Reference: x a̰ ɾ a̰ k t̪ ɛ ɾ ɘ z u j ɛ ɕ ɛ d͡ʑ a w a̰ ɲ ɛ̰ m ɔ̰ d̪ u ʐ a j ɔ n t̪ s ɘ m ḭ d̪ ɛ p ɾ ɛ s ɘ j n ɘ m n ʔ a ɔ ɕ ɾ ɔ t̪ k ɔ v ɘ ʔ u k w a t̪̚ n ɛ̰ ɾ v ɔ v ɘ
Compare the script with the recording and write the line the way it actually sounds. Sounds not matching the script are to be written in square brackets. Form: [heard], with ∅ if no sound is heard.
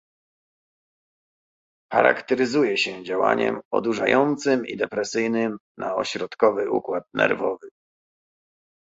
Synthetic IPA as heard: x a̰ ɾ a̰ k t̪ ɛ ɾ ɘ z u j ɛ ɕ ɛ d͡ʑ a w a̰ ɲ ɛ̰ m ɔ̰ d̪ u ʐ a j ɔ n t̪ s ɘ m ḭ d̪ ɛ p ɾ ɛ s ɘ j n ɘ m n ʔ a ɔ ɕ ɾ ɔ t̪ k ɔ v ɘ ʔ u k w a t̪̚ n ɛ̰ ɾ v ɔ v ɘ